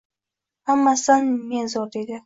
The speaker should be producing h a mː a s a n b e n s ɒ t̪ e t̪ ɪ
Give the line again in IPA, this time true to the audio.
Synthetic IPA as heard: h a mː a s a n m e n z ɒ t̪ e d̪ ɪ